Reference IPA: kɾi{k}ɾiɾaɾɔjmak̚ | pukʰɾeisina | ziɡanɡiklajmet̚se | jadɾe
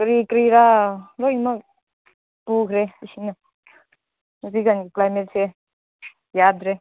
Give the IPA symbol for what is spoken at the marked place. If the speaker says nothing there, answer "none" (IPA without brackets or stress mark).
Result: k